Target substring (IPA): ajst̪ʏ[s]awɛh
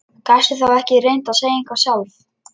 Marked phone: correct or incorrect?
incorrect: θ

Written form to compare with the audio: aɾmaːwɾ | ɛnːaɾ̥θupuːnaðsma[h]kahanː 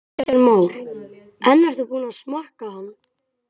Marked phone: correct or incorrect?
correct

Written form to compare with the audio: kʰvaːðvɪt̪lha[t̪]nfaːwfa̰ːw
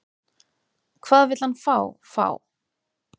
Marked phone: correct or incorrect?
incorrect: none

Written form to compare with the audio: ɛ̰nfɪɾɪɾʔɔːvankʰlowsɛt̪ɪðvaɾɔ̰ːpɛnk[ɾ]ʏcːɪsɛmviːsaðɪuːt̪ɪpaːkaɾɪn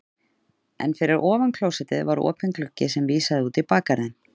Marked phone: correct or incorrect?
incorrect: l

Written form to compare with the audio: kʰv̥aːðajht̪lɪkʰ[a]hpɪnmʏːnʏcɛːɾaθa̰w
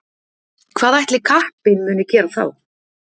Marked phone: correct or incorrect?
correct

